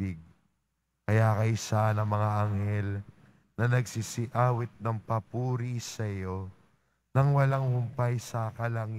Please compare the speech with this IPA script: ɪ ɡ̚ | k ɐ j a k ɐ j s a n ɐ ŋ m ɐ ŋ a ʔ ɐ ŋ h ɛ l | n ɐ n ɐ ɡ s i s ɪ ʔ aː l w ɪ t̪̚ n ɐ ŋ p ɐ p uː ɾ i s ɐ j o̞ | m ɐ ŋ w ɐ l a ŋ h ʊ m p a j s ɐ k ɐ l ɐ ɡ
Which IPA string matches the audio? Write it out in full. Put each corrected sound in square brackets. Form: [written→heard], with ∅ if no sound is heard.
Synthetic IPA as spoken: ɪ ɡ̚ | k ɐ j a k ɐ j s a n ɐ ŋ m ɐ ŋ a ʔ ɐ ŋ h ɛ l | n ɐ n ɐ ɡ s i s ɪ ʔ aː [l→∅] w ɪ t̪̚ n ɐ ŋ p ɐ p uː ɾ i s ɐ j o̞ | [m→n] ɐ ŋ w ɐ l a ŋ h ʊ m p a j s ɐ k ɐ l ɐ [ɡ→ŋ]